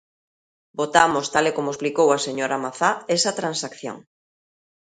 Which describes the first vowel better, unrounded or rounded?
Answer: rounded